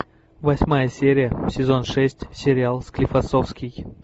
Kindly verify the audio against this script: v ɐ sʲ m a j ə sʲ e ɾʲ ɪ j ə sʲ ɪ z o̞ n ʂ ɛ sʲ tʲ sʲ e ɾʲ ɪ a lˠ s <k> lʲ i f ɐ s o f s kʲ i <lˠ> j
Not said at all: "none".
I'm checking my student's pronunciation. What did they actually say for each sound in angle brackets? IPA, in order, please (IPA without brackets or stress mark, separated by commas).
k, none